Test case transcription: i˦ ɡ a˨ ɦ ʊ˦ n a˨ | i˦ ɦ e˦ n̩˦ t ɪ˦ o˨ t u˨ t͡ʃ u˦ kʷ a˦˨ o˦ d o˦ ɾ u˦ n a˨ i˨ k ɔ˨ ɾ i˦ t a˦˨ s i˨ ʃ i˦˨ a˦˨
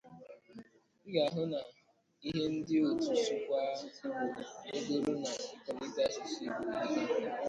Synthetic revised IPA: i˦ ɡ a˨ ɦ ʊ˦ n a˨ | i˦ ɦ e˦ n̩˦ d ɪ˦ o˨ t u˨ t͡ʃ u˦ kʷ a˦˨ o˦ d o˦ ɾ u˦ n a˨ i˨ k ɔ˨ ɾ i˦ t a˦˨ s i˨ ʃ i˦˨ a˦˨